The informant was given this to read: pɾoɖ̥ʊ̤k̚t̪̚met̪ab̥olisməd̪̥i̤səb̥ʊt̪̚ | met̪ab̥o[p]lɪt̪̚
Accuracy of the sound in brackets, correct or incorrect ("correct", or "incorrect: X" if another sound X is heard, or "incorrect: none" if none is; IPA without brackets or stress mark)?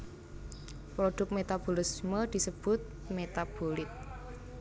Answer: incorrect: none